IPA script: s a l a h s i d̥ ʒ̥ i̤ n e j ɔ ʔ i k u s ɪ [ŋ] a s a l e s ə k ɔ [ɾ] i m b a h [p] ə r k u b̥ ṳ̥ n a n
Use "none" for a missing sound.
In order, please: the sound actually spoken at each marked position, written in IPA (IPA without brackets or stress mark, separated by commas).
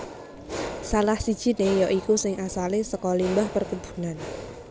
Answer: ŋ, l, p